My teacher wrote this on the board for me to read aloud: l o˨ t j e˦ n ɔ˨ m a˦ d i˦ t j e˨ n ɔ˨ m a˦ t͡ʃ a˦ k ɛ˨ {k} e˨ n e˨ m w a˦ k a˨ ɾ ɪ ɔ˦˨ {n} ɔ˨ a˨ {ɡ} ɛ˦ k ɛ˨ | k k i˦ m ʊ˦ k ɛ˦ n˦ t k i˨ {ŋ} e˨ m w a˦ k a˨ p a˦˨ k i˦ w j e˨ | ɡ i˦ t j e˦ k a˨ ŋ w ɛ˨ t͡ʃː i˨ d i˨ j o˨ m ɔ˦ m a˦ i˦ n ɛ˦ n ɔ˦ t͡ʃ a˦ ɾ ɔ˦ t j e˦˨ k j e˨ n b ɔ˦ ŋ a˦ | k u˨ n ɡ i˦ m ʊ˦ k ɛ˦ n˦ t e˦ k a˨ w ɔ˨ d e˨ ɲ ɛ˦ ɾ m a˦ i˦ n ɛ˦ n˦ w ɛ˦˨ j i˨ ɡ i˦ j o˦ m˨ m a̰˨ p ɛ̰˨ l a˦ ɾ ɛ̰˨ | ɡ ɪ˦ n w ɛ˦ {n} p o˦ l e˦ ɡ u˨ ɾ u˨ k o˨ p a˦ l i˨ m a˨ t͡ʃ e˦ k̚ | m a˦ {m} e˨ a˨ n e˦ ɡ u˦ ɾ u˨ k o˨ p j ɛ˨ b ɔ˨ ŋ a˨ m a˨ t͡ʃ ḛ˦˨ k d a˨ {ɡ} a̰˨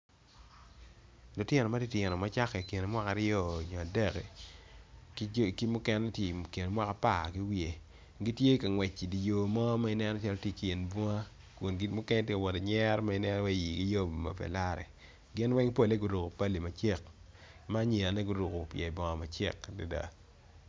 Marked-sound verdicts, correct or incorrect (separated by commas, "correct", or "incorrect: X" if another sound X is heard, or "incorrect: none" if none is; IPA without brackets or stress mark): correct, incorrect: ɲ, incorrect: d, incorrect: n, incorrect: ŋ, incorrect: ɲ, incorrect: d